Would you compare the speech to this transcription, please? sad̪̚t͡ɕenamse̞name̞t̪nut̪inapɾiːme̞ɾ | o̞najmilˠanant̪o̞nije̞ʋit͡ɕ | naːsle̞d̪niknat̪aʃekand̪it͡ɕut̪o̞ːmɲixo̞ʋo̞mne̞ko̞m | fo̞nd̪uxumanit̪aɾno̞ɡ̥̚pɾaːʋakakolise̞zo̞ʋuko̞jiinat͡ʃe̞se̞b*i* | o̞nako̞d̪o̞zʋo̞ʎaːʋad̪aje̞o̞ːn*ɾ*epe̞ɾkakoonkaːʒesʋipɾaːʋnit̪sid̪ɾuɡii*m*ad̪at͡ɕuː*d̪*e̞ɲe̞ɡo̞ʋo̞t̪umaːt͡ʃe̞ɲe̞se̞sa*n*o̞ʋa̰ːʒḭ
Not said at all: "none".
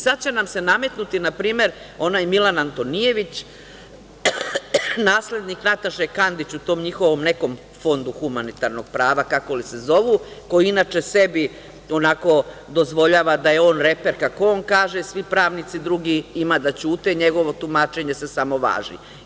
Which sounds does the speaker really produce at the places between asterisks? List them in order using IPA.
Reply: i, ɾ, m, t̪, m

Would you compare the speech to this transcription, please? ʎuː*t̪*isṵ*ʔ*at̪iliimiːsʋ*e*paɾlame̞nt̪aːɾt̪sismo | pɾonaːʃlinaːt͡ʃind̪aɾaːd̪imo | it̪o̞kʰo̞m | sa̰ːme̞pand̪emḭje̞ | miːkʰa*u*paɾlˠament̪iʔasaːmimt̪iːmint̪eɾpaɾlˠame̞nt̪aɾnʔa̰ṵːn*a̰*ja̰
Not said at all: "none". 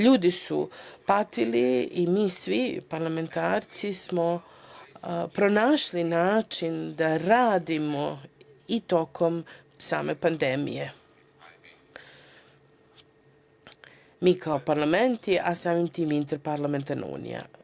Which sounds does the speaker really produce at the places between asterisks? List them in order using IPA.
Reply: d̪, p, i, o, ḭ

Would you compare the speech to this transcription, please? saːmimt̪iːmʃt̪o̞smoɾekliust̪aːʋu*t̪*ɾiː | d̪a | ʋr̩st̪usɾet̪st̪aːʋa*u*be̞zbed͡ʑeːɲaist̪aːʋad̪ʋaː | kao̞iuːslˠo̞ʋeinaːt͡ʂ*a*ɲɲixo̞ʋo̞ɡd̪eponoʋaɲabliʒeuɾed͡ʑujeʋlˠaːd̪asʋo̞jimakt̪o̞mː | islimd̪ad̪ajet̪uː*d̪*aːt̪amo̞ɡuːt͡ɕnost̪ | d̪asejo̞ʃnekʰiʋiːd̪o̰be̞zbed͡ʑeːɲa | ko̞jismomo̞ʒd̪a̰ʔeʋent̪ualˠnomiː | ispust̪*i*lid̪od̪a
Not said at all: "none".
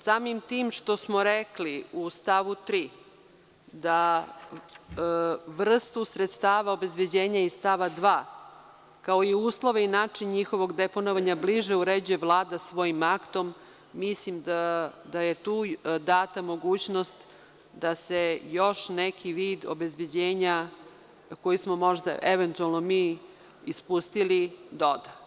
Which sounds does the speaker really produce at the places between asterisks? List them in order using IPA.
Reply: t̪, o, i, d̪, i

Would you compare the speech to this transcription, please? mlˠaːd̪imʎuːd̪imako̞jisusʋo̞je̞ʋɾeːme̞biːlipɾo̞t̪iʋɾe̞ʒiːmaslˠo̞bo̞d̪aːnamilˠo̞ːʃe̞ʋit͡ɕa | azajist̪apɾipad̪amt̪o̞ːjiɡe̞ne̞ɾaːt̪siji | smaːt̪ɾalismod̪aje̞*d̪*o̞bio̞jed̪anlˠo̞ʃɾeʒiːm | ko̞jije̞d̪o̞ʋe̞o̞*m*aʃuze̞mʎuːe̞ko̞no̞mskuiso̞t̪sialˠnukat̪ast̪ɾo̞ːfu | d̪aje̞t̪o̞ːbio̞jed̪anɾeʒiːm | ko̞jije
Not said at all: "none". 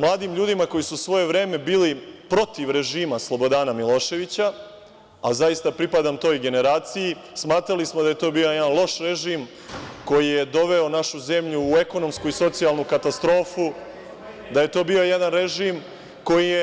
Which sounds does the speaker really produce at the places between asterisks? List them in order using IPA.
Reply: t̪, n

